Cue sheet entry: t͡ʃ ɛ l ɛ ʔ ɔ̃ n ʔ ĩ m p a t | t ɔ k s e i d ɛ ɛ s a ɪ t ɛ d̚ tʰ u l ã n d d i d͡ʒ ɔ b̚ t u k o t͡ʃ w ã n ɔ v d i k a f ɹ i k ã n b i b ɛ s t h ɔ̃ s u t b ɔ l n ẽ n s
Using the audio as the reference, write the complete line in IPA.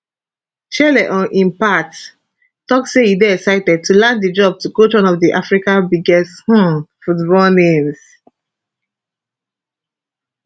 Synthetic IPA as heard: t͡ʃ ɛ l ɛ ʔ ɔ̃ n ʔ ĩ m p a t | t ɔ k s e i d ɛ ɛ s a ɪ t ɛ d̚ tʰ u l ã n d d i d͡ʒ ɔ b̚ t u k o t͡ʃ w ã n ɔ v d i ʔ a f ɹ i k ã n b i ɡ ɛ s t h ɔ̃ f u t b ɔ l n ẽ m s